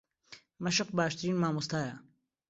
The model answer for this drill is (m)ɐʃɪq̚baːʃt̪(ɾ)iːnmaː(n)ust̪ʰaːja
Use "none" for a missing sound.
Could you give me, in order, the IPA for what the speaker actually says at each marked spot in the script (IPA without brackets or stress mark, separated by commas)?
m, ɾ, m